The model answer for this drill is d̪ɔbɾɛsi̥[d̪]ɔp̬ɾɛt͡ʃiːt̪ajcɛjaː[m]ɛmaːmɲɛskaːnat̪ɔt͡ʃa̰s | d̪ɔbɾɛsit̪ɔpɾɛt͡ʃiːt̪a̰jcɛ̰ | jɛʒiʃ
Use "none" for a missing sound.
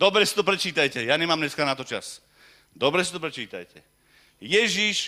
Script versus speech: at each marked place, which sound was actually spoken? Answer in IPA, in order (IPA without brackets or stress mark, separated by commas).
t̪, ɲ